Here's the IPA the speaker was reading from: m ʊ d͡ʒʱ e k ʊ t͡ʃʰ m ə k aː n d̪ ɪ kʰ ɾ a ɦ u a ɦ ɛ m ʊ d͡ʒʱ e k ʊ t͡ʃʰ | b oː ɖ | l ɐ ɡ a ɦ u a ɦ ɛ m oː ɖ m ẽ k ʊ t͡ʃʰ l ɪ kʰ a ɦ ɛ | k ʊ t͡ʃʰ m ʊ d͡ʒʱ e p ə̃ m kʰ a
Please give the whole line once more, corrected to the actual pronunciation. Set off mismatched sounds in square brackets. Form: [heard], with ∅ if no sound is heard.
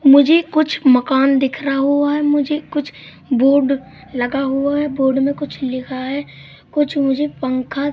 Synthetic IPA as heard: m ʊ d͡ʒʱ e k ʊ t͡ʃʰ m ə k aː n d̪ ɪ kʰ ɾ a ɦ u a ɦ ɛ m ʊ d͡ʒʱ e k ʊ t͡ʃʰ | b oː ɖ | l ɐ ɡ a ɦ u a ɦ ɛ [b] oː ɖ m ẽ k ʊ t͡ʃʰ l ɪ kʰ a ɦ ɛ | k ʊ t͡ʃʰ m ʊ d͡ʒʱ e p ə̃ [ŋ] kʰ a